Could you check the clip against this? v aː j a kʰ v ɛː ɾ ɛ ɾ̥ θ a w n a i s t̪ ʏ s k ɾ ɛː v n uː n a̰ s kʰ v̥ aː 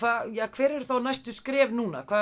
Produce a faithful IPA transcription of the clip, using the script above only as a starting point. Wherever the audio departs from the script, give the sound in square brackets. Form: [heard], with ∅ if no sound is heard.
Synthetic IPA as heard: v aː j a kʰ v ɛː ɾ ɛ ɾ̥ θ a w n a [j] s t̪ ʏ s k ɾ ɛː v n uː n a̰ [∅] kʰ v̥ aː